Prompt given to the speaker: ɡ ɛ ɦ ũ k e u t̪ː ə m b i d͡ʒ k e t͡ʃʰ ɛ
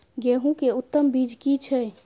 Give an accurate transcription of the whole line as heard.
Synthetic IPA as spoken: ɡ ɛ ɦ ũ k e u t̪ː ə m b i d͡ʒ k i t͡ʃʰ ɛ